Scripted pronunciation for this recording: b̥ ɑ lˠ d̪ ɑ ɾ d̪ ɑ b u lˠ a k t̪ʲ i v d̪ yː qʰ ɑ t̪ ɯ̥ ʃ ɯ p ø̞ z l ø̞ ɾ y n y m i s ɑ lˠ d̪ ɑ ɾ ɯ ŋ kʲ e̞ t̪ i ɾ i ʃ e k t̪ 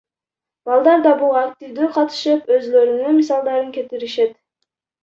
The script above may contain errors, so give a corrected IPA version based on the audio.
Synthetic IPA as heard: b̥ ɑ lˠ d̪ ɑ ɾ d̪ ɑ b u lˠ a k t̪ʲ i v d̪ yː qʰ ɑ t̪ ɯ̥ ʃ ɯ p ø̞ z l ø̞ ɾ y n y m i s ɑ lˠ d̪ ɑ ɾ ɯ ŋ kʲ e̞ t̪ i ɾ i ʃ e t̪